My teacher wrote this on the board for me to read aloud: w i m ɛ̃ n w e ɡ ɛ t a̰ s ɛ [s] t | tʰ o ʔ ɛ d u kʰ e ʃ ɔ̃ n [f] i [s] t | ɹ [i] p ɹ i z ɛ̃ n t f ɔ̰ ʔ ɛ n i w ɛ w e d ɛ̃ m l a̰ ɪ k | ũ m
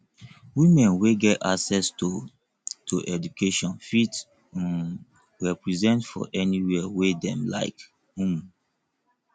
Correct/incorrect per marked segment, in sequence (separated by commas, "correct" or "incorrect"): correct, correct, incorrect, incorrect